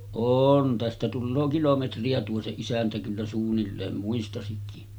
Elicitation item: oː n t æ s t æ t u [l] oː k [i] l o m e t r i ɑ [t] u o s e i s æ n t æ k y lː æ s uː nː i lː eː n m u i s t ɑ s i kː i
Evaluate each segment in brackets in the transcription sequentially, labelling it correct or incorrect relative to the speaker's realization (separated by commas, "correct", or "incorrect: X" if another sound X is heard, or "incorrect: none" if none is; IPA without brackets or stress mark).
incorrect: lː, correct, correct